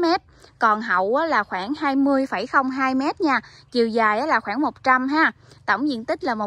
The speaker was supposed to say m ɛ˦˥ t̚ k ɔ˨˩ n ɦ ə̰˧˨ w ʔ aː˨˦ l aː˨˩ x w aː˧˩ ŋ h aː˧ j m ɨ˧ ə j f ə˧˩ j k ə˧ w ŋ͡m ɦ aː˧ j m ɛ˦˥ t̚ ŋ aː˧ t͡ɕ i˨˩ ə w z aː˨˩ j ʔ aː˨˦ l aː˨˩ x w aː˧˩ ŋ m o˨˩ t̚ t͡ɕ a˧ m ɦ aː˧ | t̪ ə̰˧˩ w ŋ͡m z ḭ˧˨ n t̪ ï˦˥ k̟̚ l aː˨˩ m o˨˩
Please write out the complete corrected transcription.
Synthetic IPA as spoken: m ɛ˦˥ t̚ k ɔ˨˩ n ɦ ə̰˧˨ w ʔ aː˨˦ l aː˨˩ x w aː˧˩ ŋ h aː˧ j m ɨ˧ ə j f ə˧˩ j x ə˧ w ŋ͡m ɦ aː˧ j m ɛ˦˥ t̚ ɲ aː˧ t͡ɕ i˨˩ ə w z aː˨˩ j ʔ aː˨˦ l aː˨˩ x w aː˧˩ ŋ m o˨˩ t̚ t͡ɕ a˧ m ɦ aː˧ | t̪ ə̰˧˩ w ŋ͡m z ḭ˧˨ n t̪ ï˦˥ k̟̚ l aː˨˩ m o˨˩